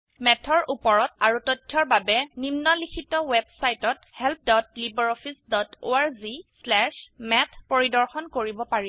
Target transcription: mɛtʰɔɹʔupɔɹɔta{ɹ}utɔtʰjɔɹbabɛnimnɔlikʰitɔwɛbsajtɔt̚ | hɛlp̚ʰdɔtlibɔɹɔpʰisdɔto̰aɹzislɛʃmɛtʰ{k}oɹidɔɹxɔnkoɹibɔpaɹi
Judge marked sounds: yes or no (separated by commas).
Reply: yes, no